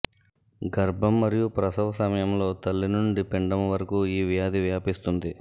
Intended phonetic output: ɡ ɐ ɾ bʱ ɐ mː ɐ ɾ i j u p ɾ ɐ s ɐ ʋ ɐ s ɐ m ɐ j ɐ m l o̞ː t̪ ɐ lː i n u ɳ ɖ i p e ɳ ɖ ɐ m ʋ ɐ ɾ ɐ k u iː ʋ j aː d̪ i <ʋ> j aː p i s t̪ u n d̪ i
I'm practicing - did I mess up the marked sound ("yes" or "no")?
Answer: no